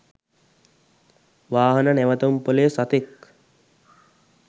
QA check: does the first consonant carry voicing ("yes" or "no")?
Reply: yes